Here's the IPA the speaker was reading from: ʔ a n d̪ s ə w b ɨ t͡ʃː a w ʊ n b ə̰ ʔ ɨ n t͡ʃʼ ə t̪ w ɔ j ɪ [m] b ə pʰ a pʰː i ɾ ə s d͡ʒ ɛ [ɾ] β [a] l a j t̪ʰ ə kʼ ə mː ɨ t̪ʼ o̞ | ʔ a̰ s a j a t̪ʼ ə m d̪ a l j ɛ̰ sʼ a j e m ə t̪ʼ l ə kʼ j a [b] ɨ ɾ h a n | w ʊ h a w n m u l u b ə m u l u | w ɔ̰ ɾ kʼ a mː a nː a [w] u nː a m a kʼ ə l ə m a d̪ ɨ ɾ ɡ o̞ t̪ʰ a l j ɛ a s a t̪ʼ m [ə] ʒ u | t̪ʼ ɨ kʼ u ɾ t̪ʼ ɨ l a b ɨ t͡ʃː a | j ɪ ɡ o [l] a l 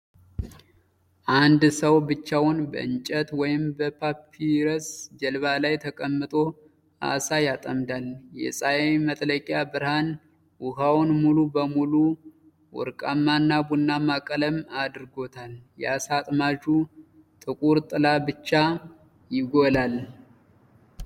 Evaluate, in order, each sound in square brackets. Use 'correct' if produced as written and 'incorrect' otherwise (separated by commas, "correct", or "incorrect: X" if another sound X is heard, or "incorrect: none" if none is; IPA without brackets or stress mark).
correct, incorrect: l, correct, correct, incorrect: b, incorrect: a, correct